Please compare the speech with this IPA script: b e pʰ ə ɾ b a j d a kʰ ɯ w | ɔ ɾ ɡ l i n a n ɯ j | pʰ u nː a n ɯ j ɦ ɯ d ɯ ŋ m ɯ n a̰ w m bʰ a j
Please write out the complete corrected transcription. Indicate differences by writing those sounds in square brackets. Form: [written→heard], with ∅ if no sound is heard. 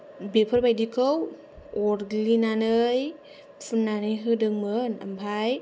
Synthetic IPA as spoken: b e pʰ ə ɾ b a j d [a→i] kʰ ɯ w | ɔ ɾ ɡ l i n a n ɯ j | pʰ u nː a n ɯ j ɦ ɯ d ɯ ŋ m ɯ n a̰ [w→∅] m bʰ a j